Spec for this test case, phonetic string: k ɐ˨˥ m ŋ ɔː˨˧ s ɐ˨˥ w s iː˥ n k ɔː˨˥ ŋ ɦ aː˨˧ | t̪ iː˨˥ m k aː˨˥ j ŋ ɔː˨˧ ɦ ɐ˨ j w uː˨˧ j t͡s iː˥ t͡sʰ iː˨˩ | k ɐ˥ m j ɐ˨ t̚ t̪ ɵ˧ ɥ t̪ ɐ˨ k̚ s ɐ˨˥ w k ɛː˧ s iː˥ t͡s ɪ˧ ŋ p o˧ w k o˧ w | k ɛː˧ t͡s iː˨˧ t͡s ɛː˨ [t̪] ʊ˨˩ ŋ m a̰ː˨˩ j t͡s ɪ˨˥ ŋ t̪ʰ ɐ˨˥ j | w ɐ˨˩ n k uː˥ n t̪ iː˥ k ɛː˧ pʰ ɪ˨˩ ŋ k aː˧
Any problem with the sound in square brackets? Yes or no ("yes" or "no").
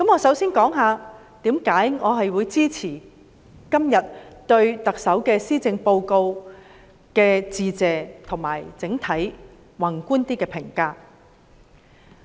yes